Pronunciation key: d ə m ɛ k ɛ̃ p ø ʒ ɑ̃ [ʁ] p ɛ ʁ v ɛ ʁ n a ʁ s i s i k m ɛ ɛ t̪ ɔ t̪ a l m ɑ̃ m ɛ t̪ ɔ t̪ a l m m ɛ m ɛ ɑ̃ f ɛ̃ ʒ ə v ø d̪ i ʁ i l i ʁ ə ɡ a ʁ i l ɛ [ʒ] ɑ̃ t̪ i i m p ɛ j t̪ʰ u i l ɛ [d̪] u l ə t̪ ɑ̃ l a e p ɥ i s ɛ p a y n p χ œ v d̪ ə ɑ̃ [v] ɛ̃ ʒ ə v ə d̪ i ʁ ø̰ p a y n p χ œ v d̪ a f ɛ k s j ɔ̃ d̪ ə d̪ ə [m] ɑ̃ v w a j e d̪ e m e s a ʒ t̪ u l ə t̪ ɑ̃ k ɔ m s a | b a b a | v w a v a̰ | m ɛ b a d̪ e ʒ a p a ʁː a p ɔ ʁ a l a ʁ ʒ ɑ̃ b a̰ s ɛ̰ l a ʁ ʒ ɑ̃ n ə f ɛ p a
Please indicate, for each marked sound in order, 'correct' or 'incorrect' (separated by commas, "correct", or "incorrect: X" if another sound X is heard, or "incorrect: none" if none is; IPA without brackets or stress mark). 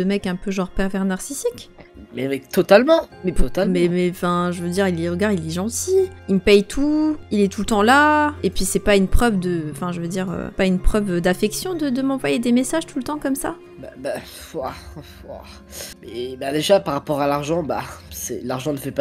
correct, correct, incorrect: t̪, incorrect: f, correct